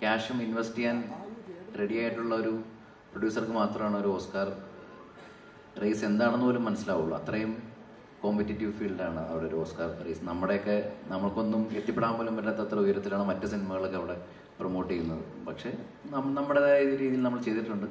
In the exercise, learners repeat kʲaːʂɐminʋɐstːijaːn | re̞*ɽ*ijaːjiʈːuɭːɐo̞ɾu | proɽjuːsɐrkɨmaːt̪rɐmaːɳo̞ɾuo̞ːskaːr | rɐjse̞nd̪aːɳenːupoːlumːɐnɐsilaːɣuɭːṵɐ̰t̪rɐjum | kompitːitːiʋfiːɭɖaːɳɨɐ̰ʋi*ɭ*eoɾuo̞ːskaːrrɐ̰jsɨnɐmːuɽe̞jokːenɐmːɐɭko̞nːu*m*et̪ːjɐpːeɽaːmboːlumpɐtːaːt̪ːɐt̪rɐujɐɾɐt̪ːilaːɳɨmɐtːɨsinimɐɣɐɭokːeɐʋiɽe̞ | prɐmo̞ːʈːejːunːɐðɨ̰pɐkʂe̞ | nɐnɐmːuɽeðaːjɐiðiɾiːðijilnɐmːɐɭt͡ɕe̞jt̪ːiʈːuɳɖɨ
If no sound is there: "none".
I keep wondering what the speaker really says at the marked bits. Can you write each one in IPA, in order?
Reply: ɽ, ɽ, m

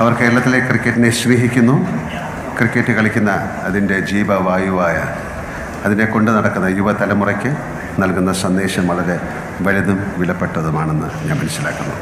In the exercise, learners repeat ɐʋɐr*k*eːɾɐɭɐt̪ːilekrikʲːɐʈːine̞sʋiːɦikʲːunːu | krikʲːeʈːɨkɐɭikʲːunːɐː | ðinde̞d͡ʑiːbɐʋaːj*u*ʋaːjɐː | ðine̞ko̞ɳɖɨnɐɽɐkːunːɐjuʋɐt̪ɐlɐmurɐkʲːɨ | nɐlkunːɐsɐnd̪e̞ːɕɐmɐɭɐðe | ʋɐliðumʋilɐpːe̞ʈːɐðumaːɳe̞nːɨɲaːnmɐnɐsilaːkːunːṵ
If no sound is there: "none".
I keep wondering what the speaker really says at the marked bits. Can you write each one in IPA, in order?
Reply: k, u

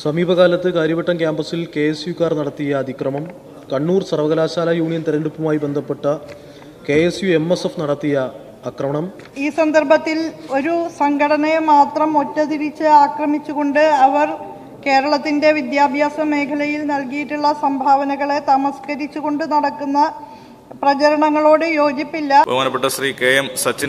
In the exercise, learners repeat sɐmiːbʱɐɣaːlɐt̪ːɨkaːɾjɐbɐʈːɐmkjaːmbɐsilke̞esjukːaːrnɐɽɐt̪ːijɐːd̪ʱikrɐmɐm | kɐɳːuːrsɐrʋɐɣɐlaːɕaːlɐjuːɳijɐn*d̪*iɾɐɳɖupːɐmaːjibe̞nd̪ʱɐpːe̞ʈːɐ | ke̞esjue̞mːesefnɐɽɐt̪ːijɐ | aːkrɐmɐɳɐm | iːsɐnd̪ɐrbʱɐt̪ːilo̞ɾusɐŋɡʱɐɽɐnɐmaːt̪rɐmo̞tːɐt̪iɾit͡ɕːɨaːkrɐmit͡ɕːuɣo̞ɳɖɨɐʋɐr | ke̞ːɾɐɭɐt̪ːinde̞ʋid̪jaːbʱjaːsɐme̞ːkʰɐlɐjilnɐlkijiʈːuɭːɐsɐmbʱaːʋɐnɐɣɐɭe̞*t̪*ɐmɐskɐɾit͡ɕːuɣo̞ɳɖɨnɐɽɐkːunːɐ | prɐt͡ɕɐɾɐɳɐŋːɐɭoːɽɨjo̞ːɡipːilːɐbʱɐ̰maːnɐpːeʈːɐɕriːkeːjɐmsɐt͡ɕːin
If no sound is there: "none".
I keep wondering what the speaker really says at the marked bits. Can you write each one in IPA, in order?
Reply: t̪, t̪

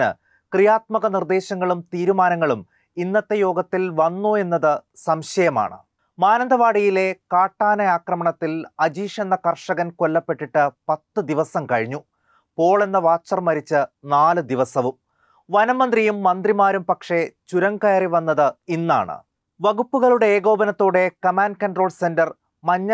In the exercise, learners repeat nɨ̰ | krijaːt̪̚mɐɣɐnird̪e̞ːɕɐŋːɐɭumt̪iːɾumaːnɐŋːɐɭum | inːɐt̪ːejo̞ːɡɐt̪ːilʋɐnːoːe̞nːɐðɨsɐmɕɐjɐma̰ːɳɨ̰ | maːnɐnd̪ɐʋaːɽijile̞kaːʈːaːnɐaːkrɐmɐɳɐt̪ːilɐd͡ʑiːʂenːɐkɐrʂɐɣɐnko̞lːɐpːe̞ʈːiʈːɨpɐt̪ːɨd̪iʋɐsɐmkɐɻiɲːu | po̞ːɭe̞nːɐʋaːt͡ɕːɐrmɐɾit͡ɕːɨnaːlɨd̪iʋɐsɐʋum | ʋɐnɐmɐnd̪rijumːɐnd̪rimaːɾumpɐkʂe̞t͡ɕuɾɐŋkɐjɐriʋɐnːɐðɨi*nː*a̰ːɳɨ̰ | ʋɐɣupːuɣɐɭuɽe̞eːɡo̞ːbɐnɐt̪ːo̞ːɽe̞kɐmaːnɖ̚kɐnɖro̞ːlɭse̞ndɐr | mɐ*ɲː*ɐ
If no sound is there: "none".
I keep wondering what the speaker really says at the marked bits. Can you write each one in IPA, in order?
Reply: nː, ɲː

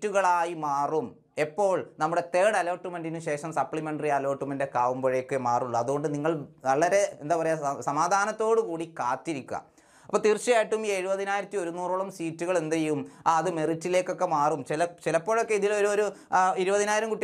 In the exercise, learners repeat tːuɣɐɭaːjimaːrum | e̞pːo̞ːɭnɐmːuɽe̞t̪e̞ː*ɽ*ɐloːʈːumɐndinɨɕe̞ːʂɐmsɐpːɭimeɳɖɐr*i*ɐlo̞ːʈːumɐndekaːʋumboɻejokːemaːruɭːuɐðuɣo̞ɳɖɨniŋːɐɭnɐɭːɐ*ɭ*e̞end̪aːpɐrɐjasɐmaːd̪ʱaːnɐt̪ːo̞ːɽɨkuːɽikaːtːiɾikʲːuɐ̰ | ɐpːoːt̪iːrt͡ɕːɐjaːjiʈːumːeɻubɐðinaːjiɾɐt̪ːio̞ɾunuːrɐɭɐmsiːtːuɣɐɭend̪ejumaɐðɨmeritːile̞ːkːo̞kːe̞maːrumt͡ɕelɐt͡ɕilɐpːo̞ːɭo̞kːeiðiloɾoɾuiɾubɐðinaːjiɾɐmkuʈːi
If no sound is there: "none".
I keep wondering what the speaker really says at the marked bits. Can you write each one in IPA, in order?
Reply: ɽ, i, ɾ

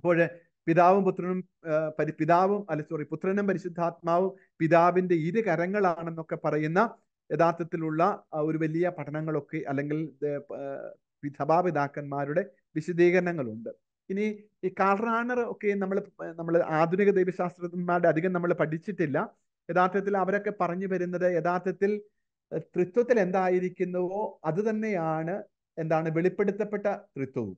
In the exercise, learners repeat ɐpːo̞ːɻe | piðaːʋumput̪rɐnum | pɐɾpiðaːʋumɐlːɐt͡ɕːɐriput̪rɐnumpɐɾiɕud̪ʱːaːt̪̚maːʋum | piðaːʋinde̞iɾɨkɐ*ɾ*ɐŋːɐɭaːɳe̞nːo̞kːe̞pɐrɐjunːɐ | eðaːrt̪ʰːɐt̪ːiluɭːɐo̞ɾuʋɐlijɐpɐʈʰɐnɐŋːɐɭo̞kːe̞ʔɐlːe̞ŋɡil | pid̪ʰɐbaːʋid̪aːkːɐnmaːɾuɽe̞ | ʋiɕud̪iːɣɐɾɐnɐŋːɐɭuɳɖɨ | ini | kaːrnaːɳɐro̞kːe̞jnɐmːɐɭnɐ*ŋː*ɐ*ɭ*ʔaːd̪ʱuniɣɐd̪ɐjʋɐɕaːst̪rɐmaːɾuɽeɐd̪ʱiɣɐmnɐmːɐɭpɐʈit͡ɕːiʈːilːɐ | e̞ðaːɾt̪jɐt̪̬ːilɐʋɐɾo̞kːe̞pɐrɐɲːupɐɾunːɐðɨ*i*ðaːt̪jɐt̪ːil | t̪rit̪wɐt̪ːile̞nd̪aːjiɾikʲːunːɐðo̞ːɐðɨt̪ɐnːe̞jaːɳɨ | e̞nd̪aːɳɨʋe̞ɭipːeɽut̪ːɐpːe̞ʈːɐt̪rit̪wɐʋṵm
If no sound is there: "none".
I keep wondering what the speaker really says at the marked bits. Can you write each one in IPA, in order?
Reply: ɾ, mː, ɭ, e

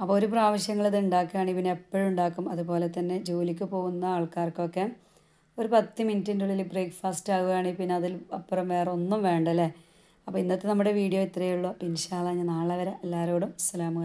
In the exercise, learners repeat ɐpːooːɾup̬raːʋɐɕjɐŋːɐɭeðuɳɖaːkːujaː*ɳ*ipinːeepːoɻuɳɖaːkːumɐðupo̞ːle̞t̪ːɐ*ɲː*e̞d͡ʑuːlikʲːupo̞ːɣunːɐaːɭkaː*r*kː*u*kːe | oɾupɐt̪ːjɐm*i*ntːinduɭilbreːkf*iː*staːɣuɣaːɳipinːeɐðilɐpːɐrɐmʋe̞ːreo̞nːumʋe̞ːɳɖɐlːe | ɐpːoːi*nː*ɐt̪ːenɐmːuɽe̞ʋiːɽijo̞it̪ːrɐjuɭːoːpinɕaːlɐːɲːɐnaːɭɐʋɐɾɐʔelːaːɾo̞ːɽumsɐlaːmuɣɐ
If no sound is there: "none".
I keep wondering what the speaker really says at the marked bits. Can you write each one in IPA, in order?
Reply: ɳ, nː, r, o, i, aː, nː

